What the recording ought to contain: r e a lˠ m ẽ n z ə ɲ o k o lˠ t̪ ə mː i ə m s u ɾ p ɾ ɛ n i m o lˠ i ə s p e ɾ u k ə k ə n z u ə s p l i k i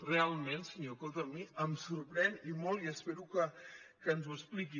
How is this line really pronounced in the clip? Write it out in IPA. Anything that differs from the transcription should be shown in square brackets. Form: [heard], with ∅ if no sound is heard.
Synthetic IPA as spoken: r e a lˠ m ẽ n [s] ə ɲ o k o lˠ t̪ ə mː i ə m s u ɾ p ɾ ɛ n i m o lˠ i ə s p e ɾ u k ə k ə n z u ə s p l i k i